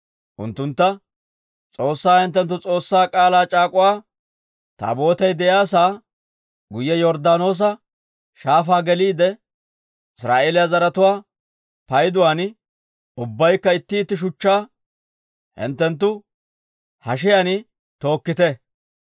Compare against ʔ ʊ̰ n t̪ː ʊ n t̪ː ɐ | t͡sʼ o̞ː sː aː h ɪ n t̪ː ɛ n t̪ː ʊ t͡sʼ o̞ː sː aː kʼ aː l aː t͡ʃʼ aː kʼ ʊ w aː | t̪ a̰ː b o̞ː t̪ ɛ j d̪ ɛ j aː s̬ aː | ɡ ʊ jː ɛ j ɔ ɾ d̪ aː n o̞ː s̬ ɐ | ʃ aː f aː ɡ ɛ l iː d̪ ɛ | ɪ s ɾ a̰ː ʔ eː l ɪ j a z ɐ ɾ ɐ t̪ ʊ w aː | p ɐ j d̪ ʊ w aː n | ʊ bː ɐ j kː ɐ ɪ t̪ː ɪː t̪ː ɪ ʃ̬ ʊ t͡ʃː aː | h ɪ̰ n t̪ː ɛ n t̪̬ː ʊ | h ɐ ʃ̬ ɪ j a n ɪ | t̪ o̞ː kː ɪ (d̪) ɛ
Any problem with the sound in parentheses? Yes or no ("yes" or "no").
yes